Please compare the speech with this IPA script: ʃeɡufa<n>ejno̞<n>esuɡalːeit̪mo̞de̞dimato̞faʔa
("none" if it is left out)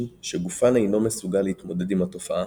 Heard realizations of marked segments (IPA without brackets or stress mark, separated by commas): n, m